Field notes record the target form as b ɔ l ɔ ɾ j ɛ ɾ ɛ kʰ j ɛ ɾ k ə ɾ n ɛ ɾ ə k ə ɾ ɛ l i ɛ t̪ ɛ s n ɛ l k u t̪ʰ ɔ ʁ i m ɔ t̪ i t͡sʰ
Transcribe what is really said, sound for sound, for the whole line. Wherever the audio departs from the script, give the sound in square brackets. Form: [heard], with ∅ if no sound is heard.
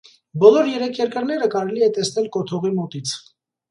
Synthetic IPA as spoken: b ɔ l ɔ ɾ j ɛ ɾ ɛ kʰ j ɛ ɾ k ə ɾ n ɛ ɾ ə k [ɑ] ɾ ɛ l i ɛ t̪ ɛ s n ɛ l k [ɔ] t̪ʰ ɔ ʁ i m ɔ t̪ i t͡sʰ